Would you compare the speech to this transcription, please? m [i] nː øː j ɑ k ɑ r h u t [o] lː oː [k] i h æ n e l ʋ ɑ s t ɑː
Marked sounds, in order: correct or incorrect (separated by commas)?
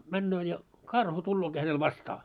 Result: incorrect, incorrect, correct